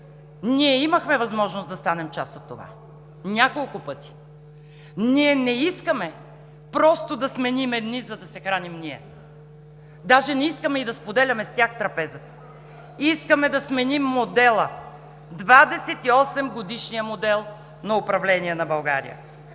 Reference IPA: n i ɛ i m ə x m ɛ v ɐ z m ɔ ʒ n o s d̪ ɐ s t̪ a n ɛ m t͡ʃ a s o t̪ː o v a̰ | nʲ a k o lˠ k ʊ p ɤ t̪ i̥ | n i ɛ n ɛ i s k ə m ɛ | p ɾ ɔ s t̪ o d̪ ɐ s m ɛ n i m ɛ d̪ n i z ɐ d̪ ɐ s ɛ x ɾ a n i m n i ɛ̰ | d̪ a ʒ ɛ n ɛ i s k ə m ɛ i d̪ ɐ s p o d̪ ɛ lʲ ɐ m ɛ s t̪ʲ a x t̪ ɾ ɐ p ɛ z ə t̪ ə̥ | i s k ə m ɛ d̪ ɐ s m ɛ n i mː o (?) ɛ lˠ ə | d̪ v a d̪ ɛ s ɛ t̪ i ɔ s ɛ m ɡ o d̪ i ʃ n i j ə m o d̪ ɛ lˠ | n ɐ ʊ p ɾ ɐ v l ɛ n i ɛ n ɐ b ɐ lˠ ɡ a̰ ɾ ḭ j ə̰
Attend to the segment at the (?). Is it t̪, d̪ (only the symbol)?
d̪